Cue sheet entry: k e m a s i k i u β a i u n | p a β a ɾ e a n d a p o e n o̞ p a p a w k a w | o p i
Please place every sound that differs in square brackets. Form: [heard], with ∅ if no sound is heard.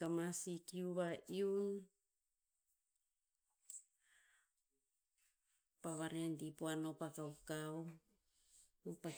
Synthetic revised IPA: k [a] m a s i k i u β a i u n | p a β a ɾ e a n d [i] p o [a] n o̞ p a [k] a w k a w | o p [a]